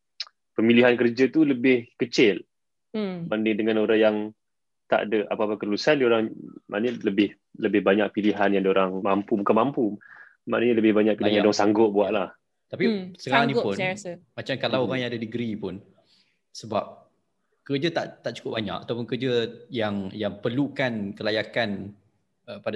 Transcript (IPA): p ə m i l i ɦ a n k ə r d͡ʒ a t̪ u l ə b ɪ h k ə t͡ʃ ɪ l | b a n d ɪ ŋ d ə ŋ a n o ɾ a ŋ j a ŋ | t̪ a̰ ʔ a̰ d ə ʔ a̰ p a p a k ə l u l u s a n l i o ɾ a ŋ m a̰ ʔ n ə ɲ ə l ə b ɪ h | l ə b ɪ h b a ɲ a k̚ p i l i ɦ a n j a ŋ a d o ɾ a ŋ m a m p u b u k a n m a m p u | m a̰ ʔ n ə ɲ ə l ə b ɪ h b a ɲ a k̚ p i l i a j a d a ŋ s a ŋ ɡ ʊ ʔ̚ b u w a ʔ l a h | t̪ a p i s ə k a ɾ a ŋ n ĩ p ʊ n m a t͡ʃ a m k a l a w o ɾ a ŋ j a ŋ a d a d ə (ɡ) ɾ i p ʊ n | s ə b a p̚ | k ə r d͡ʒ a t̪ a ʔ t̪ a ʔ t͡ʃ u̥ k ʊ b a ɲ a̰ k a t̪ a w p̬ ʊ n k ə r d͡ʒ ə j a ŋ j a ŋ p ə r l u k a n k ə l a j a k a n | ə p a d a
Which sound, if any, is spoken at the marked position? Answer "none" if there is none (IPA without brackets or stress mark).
ɡ